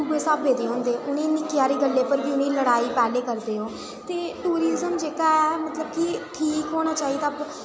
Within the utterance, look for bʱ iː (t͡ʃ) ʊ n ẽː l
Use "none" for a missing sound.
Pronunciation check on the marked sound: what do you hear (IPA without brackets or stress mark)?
none